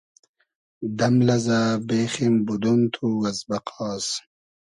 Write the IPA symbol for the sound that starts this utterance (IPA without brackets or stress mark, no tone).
d̪